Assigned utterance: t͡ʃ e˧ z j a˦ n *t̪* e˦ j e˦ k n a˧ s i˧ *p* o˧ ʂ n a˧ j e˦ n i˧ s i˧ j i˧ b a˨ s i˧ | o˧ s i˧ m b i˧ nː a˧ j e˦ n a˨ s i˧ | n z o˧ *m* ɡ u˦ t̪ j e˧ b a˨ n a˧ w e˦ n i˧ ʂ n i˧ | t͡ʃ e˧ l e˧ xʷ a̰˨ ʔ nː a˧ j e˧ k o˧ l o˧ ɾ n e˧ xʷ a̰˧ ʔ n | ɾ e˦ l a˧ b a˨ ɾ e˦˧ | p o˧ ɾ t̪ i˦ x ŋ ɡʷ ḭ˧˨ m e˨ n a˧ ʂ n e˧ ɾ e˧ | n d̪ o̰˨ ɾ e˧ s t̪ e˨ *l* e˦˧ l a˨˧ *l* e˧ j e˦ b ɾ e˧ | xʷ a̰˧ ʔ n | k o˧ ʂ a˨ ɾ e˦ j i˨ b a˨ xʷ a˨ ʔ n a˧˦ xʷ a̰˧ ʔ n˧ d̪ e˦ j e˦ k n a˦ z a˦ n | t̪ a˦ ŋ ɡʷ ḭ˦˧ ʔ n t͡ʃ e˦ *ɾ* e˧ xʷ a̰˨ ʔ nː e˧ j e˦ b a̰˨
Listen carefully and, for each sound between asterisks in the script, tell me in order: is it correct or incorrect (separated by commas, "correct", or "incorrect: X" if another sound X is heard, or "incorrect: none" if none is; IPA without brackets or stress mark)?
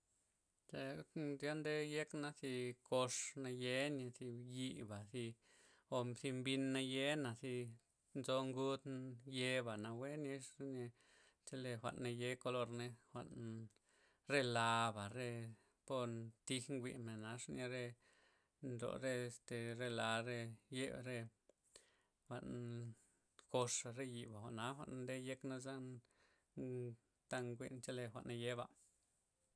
incorrect: d̪, incorrect: k, incorrect: ŋ, incorrect: ɾ, incorrect: ɾ, incorrect: l